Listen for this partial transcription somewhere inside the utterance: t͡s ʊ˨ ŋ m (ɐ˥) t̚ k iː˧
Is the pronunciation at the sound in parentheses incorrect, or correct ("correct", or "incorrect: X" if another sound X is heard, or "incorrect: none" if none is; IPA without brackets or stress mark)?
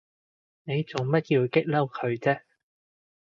correct